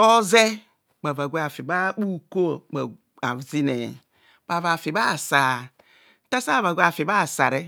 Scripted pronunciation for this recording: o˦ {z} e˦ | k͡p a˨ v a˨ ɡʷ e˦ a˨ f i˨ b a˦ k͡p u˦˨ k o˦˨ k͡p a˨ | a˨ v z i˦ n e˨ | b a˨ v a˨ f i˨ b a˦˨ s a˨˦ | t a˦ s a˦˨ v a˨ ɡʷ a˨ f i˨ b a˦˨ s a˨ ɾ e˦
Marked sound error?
no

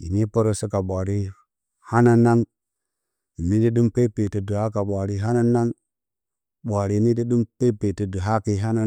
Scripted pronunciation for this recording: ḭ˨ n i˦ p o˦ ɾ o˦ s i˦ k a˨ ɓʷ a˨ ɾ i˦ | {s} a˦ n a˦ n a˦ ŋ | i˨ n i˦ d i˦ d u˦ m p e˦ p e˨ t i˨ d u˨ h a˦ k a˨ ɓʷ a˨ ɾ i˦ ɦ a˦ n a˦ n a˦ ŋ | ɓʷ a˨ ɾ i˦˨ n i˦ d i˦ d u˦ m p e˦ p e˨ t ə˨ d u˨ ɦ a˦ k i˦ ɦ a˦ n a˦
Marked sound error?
yes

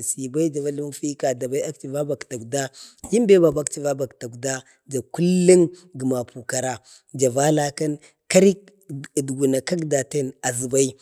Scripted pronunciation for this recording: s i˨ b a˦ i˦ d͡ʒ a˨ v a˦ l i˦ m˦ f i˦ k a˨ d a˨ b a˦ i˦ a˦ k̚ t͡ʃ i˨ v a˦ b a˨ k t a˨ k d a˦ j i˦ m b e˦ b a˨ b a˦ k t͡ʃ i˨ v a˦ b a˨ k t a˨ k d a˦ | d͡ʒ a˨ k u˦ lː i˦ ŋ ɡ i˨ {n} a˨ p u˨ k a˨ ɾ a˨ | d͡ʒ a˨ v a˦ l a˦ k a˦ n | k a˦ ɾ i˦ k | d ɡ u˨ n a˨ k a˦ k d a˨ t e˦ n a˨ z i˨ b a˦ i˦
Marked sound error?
yes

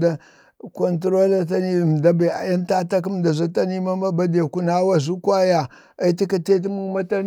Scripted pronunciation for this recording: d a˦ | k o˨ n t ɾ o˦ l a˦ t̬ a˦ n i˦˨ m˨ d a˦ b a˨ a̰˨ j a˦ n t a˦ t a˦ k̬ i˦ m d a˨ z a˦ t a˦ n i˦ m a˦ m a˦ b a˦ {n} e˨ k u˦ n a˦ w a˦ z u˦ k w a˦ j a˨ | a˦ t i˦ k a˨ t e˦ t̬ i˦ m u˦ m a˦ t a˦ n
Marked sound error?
yes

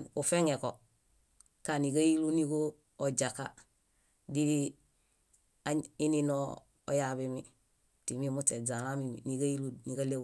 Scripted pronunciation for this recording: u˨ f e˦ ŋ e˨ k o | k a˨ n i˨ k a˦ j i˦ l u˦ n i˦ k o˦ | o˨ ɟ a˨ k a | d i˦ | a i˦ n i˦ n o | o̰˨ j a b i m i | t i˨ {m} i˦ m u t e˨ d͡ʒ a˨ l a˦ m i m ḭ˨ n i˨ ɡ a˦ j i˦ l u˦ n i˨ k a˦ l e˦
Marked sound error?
no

